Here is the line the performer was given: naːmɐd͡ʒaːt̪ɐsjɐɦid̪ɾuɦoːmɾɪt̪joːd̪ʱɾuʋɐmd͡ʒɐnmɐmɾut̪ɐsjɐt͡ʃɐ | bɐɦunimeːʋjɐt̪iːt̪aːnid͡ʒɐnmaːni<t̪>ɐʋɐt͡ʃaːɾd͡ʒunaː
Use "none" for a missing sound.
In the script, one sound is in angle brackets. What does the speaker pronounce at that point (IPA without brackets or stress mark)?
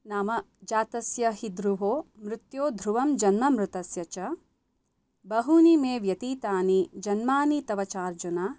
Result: t̪